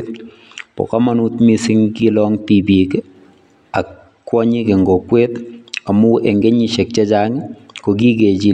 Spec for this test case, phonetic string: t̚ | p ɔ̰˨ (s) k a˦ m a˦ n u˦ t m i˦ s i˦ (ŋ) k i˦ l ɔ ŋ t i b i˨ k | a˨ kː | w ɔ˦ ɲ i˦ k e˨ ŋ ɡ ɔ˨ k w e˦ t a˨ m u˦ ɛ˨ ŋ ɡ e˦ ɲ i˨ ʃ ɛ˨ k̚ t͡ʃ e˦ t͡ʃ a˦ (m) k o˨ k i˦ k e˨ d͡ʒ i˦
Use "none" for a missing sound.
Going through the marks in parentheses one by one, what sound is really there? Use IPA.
none, ŋ, ŋ

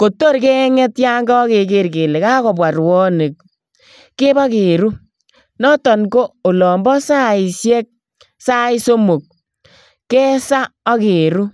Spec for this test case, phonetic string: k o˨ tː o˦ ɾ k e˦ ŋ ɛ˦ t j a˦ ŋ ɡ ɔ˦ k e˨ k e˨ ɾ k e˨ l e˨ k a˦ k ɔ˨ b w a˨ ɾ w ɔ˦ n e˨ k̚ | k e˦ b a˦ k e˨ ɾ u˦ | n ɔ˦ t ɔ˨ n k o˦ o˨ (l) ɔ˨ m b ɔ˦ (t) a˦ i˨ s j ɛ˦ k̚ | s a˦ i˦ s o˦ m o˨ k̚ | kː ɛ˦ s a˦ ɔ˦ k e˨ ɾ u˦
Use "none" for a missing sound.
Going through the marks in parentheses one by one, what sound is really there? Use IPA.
l, s

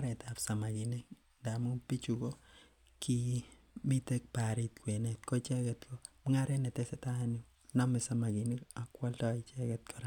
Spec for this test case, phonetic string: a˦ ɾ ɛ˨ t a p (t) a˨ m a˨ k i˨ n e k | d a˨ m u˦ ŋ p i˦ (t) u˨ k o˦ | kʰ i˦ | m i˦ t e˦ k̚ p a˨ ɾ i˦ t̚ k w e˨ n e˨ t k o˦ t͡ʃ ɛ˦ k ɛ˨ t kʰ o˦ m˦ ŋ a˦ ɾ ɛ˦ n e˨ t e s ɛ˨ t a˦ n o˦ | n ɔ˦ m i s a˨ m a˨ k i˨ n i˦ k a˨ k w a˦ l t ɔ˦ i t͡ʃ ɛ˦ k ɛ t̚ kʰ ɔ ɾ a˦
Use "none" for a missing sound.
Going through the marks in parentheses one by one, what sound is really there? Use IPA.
s, t͡ʃ

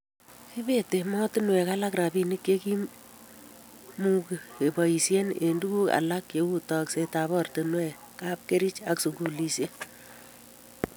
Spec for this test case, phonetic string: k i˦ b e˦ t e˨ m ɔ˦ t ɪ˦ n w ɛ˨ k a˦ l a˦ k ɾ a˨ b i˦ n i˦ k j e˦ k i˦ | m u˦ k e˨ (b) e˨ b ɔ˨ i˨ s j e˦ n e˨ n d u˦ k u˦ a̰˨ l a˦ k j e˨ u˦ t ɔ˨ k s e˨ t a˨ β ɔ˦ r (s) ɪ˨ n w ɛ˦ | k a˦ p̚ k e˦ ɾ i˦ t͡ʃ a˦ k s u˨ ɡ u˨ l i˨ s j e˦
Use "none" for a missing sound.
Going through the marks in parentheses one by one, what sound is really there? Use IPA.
none, t

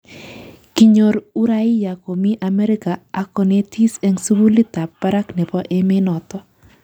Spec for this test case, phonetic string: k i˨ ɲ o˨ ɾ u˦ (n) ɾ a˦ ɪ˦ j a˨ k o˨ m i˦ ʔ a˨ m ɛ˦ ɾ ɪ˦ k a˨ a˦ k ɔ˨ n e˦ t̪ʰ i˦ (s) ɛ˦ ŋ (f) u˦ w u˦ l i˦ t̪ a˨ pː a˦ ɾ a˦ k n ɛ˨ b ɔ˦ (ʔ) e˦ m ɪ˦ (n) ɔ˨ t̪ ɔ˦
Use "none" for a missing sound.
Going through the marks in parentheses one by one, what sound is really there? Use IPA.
none, s, s, ʔ, n

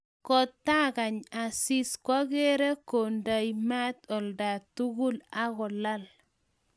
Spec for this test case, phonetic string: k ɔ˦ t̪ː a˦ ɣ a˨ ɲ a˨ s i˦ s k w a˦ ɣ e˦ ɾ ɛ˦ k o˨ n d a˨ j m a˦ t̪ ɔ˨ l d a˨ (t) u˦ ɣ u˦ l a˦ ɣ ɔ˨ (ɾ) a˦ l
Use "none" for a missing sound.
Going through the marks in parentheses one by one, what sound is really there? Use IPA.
t, l

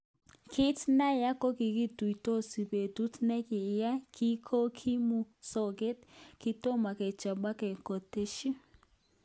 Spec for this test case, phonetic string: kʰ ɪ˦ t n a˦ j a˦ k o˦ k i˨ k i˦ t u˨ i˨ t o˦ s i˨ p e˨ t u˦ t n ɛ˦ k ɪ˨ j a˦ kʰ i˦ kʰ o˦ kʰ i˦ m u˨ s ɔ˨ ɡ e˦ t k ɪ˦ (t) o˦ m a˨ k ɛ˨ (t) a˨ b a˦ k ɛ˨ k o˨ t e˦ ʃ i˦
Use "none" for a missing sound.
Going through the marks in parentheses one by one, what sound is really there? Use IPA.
t, t͡ʃ

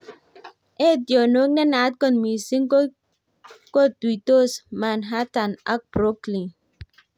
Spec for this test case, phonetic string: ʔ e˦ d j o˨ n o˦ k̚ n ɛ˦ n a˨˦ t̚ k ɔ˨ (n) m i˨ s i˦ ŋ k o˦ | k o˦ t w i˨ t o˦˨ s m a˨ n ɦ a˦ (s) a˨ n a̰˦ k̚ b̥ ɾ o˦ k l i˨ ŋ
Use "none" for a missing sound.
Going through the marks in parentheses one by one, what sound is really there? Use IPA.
n, t

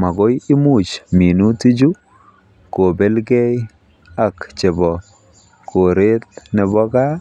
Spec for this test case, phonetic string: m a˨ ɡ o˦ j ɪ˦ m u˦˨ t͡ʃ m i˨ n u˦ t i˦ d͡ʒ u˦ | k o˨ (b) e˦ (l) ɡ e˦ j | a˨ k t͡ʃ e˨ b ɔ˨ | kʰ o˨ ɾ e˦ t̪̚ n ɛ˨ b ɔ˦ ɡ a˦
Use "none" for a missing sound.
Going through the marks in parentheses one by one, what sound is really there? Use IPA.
b, l

